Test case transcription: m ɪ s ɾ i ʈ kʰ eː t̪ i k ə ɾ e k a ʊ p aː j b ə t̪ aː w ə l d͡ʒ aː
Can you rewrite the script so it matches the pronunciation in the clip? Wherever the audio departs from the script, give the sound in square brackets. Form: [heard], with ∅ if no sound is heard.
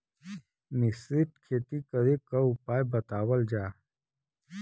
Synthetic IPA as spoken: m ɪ s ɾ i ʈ kʰ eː t̪ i k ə ɾ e k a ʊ p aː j b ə t̪ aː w ə l d͡ʒ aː